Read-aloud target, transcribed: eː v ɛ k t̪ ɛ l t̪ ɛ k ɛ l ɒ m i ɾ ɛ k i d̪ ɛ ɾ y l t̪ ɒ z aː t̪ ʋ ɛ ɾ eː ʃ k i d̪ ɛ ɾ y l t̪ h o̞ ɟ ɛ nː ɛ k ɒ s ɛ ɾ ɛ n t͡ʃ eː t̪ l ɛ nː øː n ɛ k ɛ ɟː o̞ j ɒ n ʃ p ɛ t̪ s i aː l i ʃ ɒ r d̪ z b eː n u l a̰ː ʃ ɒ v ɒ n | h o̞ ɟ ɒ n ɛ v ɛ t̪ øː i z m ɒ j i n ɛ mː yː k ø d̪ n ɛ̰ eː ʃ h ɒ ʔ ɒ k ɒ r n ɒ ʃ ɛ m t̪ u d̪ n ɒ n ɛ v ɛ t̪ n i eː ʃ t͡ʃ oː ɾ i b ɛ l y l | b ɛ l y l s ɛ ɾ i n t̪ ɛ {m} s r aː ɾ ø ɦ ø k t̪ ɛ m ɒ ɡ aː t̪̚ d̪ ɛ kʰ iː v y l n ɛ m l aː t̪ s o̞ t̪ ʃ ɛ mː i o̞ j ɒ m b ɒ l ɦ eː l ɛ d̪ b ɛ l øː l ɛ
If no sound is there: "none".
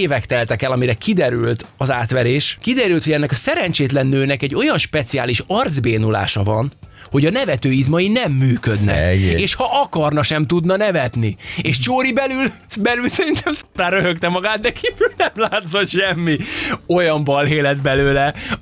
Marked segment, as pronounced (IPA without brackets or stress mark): m